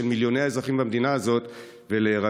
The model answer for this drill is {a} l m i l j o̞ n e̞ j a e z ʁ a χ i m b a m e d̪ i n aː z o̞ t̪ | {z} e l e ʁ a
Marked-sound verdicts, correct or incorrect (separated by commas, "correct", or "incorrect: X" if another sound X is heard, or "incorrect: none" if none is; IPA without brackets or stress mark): incorrect: e, incorrect: v